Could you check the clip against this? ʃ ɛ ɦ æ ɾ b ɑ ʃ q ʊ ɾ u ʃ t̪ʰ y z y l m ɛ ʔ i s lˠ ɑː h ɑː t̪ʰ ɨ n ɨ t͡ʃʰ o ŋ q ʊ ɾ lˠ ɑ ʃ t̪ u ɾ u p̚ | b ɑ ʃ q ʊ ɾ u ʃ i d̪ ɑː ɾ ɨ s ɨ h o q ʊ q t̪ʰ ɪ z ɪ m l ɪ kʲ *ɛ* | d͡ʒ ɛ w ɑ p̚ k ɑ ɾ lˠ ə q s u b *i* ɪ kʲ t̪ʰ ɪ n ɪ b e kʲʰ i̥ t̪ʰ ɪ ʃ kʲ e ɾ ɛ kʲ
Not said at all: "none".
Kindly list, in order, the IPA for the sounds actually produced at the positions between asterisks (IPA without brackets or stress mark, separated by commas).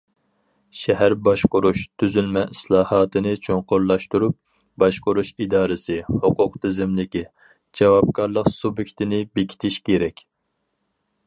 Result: i, j